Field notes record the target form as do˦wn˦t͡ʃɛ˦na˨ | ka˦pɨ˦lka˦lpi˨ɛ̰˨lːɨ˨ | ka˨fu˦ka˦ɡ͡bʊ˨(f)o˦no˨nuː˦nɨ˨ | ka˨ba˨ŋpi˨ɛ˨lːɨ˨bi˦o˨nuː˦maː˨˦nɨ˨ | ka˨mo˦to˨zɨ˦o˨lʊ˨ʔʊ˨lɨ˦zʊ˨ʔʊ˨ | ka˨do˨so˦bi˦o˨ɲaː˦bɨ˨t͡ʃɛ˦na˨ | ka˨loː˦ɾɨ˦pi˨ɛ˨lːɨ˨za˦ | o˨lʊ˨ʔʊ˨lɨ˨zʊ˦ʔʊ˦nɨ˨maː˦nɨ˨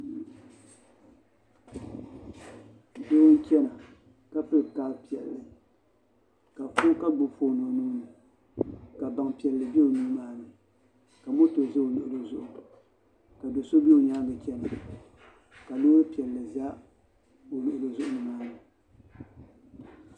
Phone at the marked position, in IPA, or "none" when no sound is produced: f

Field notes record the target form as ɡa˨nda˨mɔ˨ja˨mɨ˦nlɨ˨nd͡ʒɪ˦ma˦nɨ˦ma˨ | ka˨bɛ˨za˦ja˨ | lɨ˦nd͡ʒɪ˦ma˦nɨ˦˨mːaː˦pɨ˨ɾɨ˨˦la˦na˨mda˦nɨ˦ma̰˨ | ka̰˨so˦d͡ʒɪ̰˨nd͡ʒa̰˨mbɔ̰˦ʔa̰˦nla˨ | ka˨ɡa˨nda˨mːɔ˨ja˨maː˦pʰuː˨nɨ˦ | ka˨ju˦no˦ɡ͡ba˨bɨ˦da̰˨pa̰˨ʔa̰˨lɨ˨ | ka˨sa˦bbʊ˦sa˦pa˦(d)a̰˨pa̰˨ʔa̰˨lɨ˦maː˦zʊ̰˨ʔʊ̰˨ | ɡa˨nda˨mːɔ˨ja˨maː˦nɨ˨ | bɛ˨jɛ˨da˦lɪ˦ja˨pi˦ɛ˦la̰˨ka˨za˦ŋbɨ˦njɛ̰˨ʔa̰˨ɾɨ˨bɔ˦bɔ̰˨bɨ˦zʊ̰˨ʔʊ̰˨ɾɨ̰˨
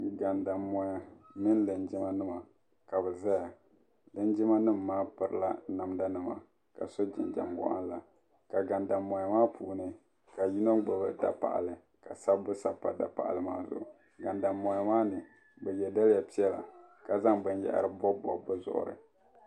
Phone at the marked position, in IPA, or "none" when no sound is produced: d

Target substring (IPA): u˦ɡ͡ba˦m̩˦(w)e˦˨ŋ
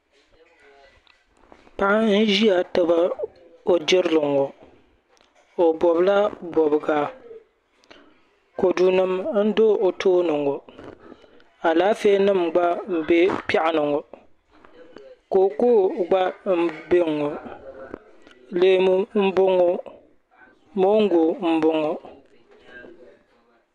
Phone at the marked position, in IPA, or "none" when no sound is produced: b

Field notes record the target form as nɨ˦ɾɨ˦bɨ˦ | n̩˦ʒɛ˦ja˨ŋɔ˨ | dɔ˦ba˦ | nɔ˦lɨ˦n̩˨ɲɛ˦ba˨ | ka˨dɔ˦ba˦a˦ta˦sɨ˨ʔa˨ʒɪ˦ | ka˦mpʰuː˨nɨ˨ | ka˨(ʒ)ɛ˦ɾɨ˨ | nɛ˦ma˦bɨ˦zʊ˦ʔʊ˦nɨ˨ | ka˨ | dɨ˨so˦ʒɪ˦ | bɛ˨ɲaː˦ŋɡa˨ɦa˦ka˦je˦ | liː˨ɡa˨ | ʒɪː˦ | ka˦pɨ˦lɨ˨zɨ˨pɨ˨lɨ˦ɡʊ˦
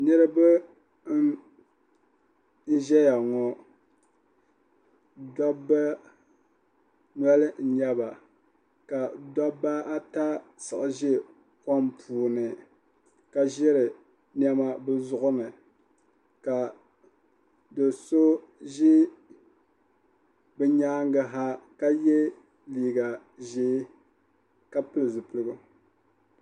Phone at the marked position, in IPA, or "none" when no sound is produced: ʒ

